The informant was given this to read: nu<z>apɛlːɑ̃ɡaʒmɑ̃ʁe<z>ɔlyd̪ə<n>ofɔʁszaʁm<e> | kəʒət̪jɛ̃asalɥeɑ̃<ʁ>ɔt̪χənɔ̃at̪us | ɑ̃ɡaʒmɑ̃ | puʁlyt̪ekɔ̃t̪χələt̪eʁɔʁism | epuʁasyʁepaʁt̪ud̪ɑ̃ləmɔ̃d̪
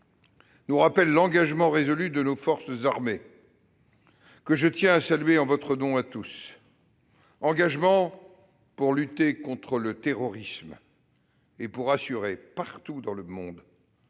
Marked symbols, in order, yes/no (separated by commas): no, yes, yes, yes, no